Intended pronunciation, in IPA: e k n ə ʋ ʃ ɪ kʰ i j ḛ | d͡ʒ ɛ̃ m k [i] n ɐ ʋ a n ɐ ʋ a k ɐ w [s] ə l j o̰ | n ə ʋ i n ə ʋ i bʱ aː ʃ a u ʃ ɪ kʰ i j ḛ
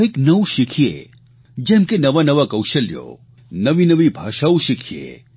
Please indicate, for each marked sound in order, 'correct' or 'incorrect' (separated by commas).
incorrect, incorrect